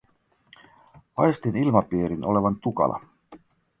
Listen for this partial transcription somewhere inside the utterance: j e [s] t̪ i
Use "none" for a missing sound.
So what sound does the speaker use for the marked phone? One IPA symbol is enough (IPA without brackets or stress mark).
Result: s